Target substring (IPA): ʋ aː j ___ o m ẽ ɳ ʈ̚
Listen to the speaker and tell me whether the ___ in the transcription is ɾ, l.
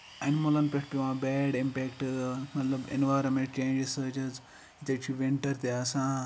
ɾ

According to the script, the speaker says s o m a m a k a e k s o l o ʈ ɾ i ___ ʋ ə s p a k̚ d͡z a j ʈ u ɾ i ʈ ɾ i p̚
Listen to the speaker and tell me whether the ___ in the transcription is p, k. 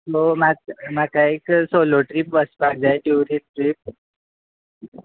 p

